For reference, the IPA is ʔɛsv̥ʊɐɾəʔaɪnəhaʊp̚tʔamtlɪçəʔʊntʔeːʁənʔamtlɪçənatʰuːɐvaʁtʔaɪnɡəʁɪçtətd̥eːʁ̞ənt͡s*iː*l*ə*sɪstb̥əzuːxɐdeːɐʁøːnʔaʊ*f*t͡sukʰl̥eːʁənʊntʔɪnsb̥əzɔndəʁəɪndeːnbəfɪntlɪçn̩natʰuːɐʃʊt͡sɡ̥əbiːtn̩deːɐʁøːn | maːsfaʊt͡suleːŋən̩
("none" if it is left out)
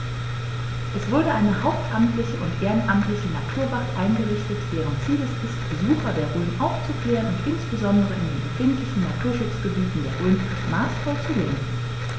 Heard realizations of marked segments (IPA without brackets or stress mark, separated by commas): iː, ə, f